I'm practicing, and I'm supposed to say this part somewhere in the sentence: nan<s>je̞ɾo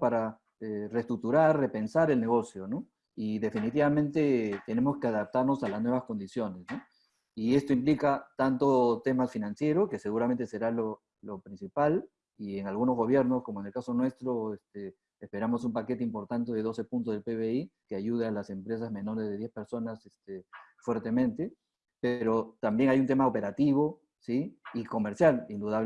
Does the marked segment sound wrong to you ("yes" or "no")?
no